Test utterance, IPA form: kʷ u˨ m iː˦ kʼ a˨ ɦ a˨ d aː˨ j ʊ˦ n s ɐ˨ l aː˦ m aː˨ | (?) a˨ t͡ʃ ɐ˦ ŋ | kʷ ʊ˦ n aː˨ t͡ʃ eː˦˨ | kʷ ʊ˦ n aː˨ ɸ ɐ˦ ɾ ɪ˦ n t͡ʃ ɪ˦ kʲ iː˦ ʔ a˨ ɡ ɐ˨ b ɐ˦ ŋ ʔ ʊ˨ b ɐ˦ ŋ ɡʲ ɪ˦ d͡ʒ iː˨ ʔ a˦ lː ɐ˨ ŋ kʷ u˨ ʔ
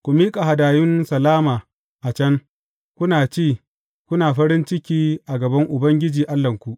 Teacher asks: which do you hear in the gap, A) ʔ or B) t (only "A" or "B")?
A